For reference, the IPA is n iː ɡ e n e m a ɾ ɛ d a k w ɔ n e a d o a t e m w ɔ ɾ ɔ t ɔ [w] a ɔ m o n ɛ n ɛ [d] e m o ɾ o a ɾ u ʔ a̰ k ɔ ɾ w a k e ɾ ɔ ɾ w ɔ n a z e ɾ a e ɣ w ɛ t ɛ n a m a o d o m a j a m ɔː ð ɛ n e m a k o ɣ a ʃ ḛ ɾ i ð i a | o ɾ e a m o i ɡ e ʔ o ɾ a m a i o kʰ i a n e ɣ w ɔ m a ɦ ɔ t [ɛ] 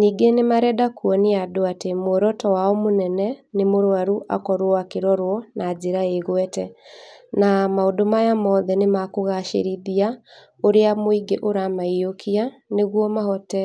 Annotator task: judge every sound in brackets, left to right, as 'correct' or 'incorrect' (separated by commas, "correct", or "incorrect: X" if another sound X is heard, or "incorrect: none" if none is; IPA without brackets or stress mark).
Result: correct, incorrect: n, correct